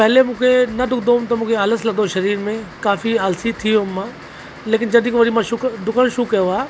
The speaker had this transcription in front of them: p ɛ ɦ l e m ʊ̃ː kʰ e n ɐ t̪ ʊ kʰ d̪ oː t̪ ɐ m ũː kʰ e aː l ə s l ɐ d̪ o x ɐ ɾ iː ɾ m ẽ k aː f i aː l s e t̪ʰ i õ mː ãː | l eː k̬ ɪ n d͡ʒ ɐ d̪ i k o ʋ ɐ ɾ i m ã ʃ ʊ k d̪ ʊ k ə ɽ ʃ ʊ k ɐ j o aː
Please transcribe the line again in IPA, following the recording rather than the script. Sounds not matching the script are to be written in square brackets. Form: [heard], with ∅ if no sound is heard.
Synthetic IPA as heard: p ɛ ɦ l e m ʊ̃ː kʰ e n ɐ [d̪] ʊ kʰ d̪ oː t̪ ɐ m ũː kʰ e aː l ə s l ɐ d̪ o [ʃ] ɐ ɾ iː ɾ m ẽ k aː f i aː l s [i] t̪ʰ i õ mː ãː | l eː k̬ ɪ n d͡ʒ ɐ d̪ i k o ʋ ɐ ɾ i m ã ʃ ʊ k d̪ ʊ k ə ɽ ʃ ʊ k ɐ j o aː

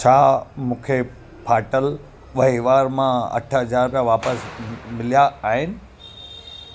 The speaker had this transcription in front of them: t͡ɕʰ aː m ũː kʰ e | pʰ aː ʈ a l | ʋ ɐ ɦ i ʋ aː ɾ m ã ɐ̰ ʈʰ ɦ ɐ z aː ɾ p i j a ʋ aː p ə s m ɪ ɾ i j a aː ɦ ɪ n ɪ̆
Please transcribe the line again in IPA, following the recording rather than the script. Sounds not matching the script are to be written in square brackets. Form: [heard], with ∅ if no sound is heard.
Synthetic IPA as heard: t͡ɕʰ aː m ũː kʰ e | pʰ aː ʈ [ə] l | ʋ ɐ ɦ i ʋ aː ɾ m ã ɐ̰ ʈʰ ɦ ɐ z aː ɾ p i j a ʋ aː p ə s m ɪ [l] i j a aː ɦ ɪ n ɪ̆

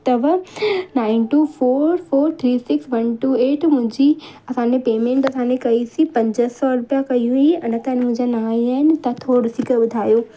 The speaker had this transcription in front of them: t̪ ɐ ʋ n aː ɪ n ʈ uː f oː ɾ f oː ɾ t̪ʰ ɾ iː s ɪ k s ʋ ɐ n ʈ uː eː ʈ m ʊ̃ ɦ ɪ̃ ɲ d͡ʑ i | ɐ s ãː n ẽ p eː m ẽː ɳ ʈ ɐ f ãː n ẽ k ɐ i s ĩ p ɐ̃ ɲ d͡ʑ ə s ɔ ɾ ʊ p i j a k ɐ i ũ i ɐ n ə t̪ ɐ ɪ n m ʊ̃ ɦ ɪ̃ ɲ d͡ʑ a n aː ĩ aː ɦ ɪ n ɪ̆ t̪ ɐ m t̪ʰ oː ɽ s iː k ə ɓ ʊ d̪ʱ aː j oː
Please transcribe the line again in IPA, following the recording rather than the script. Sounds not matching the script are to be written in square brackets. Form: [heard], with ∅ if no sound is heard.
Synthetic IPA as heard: t̪ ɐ ʋ n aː ɪ n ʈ uː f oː ɾ f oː ɾ t̪ʰ ɾ iː s ɪ k s ʋ ɐ n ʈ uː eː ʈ m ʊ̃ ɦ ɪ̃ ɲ d͡ʑ i | ɐ s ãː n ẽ p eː m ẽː ɳ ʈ ɐ [s] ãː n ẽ k ɐ i s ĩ p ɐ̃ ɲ d͡ʑ ə s ɔ ɾ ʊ p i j a k ɐ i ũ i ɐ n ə t̪ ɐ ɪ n m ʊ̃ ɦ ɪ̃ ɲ d͡ʑ a n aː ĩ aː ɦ ɪ n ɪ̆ t̪ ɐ [∅] t̪ʰ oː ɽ s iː k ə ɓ ʊ d̪ʱ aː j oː

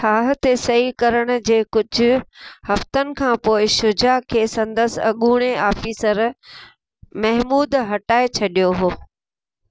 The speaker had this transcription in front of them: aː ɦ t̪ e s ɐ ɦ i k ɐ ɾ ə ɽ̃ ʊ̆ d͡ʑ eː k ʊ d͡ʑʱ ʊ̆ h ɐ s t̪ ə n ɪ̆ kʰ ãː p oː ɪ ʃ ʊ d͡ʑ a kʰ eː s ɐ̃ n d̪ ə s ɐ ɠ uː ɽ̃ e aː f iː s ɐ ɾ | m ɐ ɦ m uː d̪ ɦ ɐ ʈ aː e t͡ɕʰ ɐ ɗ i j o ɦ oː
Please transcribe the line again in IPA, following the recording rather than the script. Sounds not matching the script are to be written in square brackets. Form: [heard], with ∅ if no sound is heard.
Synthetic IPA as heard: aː ɦ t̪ e s ɐ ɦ i k ɐ ɾ ə ɽ̃ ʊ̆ d͡ʑ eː k ʊ d͡ʑʱ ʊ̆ h ɐ [f] t̪ ə n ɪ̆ kʰ ãː p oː ɪ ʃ ʊ d͡ʑ a kʰ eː s ɐ̃ n d̪ ə s ɐ ɠ uː ɽ̃ e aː f iː s [ə] ɾ | m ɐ ɦ m uː d̪ ɦ ɐ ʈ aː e t͡ɕʰ ɐ ɗ i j o ɦ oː

